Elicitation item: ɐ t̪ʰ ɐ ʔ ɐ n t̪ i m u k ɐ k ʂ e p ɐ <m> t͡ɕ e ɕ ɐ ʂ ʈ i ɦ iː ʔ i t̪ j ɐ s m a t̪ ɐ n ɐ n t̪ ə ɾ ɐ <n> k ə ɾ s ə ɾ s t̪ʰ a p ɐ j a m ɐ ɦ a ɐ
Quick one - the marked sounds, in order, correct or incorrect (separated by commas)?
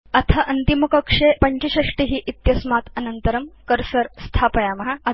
incorrect, incorrect